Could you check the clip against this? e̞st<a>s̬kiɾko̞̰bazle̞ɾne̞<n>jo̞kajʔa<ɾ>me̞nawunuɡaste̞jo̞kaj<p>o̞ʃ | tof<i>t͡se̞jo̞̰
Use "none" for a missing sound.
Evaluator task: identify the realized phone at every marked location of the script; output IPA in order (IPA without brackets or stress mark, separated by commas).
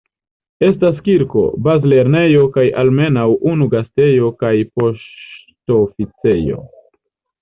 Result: a, none, l, p, i